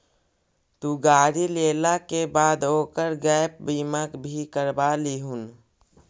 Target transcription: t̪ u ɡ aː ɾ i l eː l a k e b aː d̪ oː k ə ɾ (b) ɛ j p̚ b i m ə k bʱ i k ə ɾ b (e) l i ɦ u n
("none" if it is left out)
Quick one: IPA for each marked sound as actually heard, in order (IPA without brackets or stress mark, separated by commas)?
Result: ɡ, a